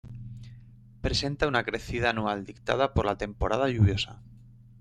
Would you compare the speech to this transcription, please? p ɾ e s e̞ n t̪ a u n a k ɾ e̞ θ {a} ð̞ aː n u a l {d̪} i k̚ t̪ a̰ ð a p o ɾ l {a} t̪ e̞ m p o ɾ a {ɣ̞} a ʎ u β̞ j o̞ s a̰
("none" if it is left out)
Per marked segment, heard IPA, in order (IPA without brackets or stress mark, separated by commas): i, d̪, a, ð̞